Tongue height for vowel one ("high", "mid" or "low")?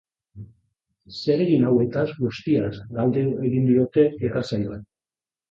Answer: mid